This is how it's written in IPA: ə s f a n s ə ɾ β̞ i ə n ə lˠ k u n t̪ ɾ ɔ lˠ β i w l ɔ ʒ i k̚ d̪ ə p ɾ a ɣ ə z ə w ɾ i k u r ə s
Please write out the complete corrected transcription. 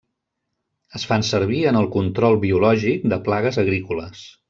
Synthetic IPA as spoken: ə s f a n s ə ɾ β̞ i ə n ə lˠ k u n t̪ ɾ ɔ lˠ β i u l ɔ ʒ i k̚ d̪ ə p l a ɣ ə z ə ɣ ɾ i k u l ə s

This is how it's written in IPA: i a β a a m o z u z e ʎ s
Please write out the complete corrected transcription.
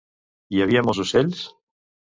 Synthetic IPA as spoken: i a β i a m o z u s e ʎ s

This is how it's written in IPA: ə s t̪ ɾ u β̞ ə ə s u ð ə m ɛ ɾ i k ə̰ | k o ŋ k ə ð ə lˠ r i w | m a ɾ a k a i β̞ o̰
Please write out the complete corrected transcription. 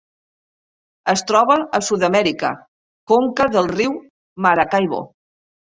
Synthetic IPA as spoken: ə s t̪ ɾ ɔ β̞ ə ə s u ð ə m ɛ ɾ i k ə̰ | k o ŋ k ə ð ə lˠ r i w | m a ɾ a k a j β̞ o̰

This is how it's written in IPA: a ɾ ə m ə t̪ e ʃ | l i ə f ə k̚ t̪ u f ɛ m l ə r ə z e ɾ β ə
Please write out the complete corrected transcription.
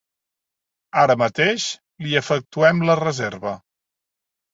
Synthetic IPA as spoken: a ɾ ə m ə t̪ e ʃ | l i ə f ə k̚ t̪ u ɛ m l ə r ə z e ɾ β ə

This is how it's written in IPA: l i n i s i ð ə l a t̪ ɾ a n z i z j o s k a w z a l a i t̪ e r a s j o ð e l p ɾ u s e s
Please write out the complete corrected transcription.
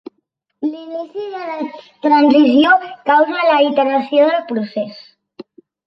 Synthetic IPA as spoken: l i n i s i ð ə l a t̪ ɾ a n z i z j o k a w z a l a i t̪ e ɾ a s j o ð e l p ɾ u s e s

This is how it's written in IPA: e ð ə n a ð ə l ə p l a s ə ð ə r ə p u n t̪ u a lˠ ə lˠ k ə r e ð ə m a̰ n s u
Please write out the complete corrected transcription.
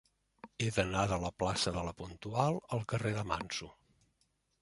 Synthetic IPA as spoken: e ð ə n a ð ə l ə p l a s ə ð ə l ə p u n t̪ u a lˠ ə lˠ k ə r e ð ə m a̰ n s u

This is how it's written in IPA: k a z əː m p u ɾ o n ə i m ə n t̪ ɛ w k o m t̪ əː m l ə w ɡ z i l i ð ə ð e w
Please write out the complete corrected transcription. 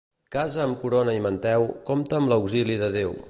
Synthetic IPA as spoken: k a z əː m k u ɾ o n ə i m ə n t̪ ɛ w k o m t̪ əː m l ə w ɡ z i l i ð ə ð e w

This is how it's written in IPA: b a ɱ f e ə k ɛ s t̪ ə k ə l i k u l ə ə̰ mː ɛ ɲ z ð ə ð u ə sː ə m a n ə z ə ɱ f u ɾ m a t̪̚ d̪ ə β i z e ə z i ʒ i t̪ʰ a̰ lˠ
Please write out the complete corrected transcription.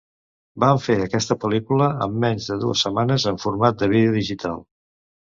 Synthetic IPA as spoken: b a ɱ f e ə k ɛ s t̪ ə p ə l i k u l ə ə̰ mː ɛ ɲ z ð ə ð u ə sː ə m a n ə z ə ɱ f u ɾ m a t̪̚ d̪ ə β i ð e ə ð i ʒ i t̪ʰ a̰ lˠ

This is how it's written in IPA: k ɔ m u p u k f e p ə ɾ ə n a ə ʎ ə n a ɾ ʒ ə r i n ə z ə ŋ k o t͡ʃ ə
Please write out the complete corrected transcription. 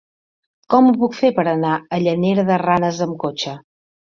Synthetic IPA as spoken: k ɔ m u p u k f e p ə ɾ ə n a ə ʎ ə n e ɾ ð ə r a n ə z ə m k o t͡ʃ ə

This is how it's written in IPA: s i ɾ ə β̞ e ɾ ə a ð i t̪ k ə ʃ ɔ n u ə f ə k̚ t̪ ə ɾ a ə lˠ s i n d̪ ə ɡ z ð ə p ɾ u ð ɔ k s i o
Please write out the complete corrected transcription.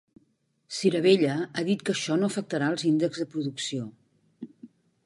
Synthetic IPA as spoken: s i ɾ ə β̞ e ʎ ə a ð i t̪ k ə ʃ ɔ n o ə f ə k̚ t̪ ə ɾ a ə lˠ z i n d̪ ə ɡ z ð ə p ɾ u ð u k s i o

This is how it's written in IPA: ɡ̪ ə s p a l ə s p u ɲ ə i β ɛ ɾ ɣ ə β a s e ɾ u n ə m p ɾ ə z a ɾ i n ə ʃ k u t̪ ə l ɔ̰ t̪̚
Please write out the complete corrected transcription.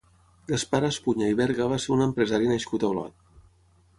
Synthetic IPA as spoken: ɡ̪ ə s p a ɾ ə s p u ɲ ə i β ɛ ɾ ɣ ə β a s e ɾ u n ə m p ɾ ə z a ɾ i n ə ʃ k u t̪ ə l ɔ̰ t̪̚

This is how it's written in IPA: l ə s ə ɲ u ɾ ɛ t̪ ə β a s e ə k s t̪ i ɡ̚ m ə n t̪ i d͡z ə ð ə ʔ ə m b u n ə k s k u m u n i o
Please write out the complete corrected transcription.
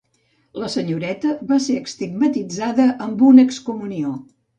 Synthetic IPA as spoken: l ə s ə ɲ u ɾ ɛ t̪ ə β a s e ə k s t̪ i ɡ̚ m ə t̪ i d͡z a ð ə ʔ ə m b u n ə k s k u m u n i o

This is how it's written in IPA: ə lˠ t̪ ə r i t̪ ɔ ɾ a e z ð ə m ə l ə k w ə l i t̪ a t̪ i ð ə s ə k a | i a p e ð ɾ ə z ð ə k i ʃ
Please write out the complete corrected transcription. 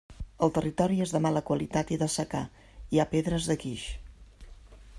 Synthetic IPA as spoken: ə lˠ t̪ ə r i t̪ ɔ ɾ i e z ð ə m a l ə k w ə l i t̪ a t̪ i ð ə s ə k a | i a p e ð ɾ ə z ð ə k i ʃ

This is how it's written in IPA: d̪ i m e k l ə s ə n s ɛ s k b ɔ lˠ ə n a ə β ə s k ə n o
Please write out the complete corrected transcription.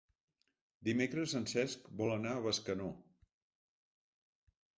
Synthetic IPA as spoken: d̪ i m e k ɾ ə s ə n s ɛ s k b ɔ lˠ ə n a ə β ə s k ə n o

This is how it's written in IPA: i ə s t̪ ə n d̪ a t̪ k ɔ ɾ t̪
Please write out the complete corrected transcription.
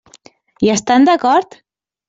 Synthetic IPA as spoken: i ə s t̪ a n d̪ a k ɔ ɾ t̪

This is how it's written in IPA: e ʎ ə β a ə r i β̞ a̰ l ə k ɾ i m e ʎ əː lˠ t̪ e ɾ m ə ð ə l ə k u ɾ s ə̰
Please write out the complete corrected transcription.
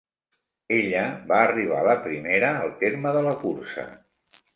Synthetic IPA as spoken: e ʎ ə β a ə r i β̞ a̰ l ə p ɾ i m e ɾ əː lˠ t̪ e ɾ m ə ð ə l ə k u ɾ s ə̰

